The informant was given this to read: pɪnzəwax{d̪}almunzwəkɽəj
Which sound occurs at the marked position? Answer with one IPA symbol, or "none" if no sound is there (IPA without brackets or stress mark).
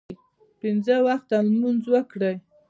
t̪